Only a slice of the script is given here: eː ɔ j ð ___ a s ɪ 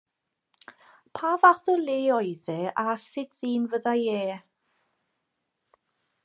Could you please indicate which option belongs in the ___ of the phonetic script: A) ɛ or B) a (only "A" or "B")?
A